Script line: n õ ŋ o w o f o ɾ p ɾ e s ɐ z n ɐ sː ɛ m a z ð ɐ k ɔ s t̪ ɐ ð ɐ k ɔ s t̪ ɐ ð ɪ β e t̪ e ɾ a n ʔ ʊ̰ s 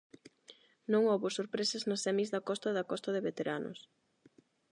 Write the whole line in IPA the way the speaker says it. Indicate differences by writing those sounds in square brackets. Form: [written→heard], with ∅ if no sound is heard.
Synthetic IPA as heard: n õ ŋ o [w→β] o [f→s] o ɾ p ɾ e s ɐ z n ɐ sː ɛ m [a→i] z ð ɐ k ɔ s t̪ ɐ ð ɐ k ɔ s t̪ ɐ ð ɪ β e t̪ e ɾ a n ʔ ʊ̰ s

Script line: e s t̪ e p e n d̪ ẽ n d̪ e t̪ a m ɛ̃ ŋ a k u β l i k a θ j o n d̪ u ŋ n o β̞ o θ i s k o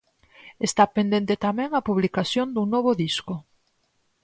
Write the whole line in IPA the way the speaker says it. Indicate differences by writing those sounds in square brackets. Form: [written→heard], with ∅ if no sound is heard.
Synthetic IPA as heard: e s t̪ [e→a] p e n d̪ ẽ n [d̪→t̪] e t̪ a m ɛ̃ ŋ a [k→p] u β l i k a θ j o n d̪ u ŋ n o β̞ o [θ→ð] i s k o

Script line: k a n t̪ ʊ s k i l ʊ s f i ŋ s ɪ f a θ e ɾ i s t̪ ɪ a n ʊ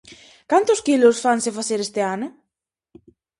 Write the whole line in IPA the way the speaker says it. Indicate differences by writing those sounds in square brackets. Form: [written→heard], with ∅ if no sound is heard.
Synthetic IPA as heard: k a n t̪ ʊ s k i l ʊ s f [i→a] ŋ s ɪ f a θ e ɾ [i→e] s t̪ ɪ a n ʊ

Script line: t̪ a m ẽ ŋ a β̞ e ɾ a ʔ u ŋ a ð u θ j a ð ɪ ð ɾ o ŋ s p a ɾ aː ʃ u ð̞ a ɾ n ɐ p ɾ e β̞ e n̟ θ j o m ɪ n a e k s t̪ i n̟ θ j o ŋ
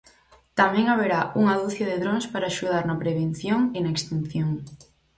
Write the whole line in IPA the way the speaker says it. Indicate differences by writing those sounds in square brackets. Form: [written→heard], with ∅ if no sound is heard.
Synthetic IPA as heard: t̪ a m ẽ ŋ a β̞ e ɾ a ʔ u ŋ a ð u θ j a ð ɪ ð ɾ o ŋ s p a ɾ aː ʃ u ð̞ a ɾ n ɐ p ɾ e β̞ e n̟ θ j o [m→ŋ] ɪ n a e k s t̪ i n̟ θ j o ŋ

